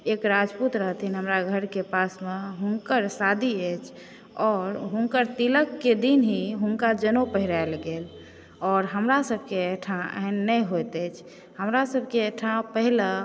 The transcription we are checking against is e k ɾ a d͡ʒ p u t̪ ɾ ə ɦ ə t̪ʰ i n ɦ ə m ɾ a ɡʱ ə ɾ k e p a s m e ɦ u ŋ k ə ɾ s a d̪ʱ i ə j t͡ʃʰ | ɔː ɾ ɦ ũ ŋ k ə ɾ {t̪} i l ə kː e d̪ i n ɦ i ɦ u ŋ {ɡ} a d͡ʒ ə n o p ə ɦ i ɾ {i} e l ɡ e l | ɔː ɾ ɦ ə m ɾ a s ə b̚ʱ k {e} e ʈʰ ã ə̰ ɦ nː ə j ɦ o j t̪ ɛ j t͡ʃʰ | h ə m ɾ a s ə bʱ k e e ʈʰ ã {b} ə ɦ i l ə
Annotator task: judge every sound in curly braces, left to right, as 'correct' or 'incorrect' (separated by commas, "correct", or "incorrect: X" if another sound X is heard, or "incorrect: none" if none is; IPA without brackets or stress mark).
correct, incorrect: k, incorrect: a, correct, incorrect: p